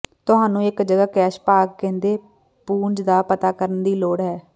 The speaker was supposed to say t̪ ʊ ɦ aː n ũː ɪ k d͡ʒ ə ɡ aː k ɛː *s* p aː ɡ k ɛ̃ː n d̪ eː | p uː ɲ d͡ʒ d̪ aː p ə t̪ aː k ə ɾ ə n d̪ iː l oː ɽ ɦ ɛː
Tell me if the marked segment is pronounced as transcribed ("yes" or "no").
no